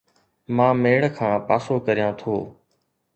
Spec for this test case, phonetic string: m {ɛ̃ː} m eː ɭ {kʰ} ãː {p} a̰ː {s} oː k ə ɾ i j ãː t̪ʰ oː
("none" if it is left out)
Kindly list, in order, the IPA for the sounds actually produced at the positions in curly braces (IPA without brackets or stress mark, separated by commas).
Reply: ãː, kʰ, p, s